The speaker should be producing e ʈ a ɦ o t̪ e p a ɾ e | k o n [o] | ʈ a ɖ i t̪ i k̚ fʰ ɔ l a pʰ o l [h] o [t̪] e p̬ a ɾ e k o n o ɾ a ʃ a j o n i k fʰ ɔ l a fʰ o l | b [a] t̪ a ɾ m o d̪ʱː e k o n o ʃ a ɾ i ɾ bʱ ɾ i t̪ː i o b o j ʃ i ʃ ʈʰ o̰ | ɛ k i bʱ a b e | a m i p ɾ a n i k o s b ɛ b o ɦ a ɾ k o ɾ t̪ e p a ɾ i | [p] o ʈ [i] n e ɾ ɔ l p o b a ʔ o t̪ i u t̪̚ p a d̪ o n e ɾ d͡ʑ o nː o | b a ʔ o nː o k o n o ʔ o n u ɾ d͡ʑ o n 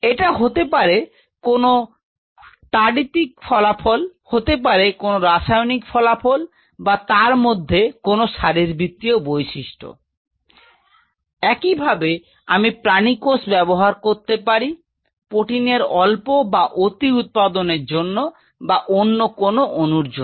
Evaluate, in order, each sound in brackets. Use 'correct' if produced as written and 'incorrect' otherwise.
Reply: correct, correct, correct, correct, correct, correct

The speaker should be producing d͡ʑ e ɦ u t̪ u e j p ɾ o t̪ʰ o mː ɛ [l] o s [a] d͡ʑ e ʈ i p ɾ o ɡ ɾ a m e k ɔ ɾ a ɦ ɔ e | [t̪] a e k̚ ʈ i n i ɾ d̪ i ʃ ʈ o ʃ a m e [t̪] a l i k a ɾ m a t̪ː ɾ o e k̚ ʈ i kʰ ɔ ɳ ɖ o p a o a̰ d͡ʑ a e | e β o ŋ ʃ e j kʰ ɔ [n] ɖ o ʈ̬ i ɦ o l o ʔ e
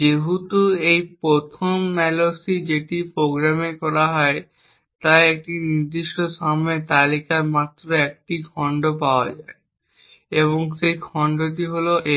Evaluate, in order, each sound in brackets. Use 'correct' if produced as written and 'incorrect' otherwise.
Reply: correct, incorrect, correct, correct, incorrect

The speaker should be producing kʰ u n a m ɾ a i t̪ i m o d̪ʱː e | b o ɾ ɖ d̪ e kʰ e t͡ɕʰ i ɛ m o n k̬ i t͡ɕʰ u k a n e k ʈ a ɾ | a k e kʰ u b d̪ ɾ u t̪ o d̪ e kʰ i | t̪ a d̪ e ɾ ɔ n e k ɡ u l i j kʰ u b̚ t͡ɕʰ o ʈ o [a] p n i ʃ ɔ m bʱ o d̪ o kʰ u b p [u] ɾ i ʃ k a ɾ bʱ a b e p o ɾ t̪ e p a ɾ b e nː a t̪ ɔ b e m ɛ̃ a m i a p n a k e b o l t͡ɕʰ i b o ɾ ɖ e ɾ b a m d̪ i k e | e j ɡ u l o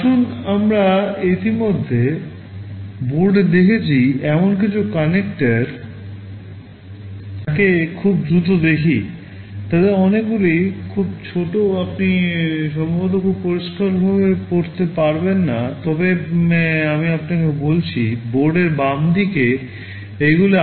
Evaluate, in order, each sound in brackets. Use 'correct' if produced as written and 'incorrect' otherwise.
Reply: correct, incorrect

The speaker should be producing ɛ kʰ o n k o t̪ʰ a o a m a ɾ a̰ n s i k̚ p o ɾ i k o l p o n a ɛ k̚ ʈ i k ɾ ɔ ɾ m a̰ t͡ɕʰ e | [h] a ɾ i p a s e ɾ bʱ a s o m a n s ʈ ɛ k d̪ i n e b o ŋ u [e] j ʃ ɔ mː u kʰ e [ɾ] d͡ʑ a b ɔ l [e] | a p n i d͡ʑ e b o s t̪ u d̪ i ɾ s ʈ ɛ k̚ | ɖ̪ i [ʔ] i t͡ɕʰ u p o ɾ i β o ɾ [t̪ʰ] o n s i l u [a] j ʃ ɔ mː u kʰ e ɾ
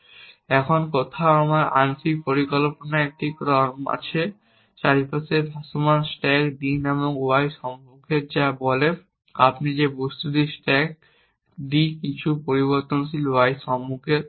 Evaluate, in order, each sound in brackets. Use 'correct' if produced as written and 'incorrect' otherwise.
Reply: incorrect, incorrect, correct, correct, incorrect, incorrect, correct

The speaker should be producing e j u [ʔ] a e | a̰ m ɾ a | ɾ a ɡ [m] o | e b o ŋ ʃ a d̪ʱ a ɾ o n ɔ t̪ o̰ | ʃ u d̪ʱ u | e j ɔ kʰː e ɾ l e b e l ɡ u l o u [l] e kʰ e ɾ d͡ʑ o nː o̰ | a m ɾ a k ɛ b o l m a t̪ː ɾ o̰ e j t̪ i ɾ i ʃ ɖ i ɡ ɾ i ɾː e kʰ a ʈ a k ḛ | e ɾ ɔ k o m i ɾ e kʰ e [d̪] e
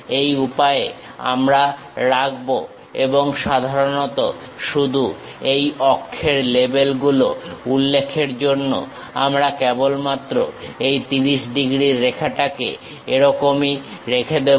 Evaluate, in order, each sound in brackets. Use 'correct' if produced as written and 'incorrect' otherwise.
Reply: incorrect, incorrect, incorrect, correct

